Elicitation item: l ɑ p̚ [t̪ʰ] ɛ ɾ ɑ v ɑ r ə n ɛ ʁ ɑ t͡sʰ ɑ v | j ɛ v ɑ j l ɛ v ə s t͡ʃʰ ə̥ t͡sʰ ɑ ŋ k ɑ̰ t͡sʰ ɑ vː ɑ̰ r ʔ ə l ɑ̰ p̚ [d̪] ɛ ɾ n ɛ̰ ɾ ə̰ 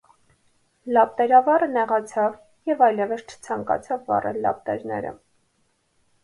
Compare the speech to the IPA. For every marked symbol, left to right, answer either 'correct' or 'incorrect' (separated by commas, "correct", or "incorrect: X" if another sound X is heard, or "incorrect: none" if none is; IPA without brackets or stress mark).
incorrect: t̪, incorrect: t̪